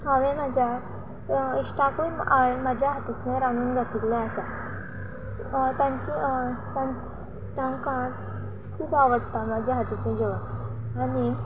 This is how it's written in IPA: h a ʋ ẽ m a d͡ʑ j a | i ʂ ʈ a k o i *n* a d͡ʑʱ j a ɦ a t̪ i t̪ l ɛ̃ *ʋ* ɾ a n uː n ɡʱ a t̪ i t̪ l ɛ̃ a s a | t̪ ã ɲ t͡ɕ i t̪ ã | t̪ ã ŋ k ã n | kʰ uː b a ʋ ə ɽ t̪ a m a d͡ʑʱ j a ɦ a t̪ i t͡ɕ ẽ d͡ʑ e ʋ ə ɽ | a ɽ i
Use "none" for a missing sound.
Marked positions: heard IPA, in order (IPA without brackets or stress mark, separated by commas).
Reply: m, none